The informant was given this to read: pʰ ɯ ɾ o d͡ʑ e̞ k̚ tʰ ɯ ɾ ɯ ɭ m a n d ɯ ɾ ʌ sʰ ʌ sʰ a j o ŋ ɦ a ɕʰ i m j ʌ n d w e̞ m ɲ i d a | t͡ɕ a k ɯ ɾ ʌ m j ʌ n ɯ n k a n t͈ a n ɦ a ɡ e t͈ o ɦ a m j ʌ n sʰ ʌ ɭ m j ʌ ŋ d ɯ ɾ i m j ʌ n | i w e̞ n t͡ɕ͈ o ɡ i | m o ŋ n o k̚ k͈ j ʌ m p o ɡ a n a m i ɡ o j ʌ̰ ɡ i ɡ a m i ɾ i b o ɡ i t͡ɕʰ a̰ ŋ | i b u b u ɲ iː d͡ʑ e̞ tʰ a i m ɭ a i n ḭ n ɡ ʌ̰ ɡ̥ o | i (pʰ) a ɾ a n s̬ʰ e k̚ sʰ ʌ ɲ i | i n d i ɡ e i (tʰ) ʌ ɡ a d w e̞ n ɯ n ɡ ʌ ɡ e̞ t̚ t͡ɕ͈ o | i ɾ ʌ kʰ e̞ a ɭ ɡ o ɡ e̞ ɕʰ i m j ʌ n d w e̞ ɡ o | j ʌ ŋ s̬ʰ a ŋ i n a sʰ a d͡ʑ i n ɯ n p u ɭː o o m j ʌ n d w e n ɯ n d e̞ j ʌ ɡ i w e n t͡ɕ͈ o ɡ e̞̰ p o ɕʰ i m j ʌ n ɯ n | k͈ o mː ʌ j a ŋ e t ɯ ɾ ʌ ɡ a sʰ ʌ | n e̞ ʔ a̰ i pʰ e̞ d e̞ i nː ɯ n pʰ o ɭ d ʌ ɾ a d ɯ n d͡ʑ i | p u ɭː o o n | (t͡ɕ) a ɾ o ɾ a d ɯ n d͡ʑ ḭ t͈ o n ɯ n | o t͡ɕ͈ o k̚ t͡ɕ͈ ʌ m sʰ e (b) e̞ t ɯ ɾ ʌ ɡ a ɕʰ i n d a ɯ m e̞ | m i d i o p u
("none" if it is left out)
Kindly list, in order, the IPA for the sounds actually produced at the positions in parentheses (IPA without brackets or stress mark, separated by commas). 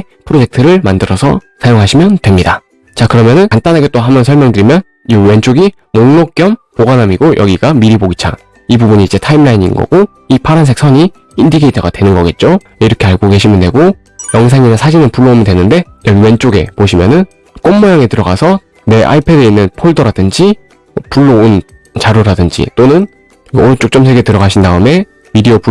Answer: pʰ, tʰ, t͡ɕ, ɡ